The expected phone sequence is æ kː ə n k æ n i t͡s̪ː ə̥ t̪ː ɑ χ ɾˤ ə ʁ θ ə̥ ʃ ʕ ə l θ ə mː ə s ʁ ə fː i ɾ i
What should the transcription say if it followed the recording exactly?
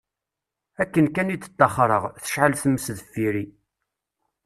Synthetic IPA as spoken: æ kː ə n k æ n i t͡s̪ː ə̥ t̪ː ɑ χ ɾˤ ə ʁ θ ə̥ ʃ ʕ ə l θ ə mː ə s ð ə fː i ɾ i